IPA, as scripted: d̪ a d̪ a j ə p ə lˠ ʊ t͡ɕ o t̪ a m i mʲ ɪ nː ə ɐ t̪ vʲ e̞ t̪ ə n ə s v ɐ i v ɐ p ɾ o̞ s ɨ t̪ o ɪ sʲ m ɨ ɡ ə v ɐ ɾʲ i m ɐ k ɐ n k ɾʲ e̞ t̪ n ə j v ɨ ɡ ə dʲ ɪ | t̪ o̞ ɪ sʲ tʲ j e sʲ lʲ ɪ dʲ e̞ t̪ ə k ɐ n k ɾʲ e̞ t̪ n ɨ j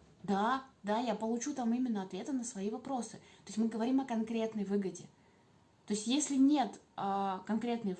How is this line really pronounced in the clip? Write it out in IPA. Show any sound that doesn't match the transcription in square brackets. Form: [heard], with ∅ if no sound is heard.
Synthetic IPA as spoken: d̪ a d̪ a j [a] p ə lˠ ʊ t͡ɕ [u] t̪ a m i mʲ ɪ nː ə ɐ t̪ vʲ e̞ t̪ ə n ə s v ɐ i v ɐ p ɾ o̞ s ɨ t̪ o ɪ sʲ m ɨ ɡ ə v ɐ ɾʲ i m ɐ k ɐ n k ɾʲ e̞ t̪ n ə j v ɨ ɡ ə dʲ ɪ | t̪ o̞ ɪ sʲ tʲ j e sʲ lʲ ɪ [nʲ] e̞ t̪ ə k ɐ n k ɾʲ e̞ t̪ n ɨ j